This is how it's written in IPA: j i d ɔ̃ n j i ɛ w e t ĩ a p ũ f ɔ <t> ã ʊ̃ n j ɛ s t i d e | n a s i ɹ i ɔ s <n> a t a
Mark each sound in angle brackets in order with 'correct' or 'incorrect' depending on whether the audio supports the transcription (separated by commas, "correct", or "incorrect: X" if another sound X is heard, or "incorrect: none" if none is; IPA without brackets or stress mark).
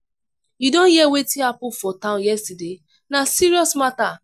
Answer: correct, incorrect: m